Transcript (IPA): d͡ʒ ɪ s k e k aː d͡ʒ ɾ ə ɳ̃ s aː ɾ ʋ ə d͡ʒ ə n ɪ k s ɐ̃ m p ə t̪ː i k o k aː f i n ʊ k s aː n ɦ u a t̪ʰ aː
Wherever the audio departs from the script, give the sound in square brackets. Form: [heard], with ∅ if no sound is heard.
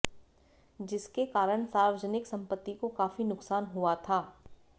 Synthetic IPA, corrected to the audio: d͡ʒ ɪ s k e k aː [∅] ɾ ə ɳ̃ s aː ɾ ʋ ə d͡ʒ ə n ɪ k s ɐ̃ m p ə t̪ː i k o k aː f i n ʊ k s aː n ɦ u a t̪ʰ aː